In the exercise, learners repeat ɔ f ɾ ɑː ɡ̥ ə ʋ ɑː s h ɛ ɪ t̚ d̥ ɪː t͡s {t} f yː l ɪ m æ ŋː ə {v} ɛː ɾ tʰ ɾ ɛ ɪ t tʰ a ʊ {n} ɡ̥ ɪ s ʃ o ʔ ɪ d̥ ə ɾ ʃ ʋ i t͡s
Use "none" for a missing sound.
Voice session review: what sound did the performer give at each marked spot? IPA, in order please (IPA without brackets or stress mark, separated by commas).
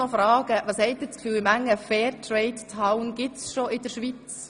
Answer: k, f, n